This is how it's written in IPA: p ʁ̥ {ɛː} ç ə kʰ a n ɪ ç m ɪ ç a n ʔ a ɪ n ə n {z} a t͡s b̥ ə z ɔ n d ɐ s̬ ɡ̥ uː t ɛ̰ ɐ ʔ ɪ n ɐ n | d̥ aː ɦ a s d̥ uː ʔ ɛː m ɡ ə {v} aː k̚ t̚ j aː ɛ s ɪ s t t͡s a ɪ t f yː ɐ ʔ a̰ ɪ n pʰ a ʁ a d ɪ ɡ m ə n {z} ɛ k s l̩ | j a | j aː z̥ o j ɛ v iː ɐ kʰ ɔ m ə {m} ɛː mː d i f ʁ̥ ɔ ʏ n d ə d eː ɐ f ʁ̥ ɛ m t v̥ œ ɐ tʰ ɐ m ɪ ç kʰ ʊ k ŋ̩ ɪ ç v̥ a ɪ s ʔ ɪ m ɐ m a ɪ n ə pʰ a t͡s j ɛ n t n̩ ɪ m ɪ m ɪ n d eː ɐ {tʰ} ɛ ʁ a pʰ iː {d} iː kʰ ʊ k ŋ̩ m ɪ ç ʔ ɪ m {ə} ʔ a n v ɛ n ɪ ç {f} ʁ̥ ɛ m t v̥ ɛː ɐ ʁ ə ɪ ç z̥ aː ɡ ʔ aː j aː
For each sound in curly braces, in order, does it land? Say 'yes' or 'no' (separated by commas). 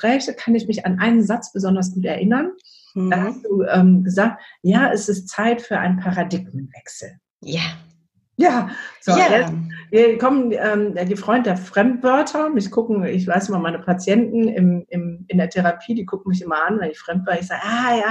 yes, yes, no, no, no, yes, yes, no, yes